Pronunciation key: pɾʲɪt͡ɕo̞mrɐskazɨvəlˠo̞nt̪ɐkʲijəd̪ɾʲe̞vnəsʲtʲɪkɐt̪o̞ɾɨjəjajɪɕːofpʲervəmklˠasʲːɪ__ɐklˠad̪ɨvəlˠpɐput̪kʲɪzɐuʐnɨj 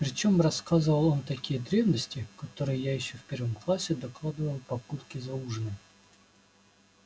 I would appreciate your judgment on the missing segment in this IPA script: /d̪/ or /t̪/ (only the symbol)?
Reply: d̪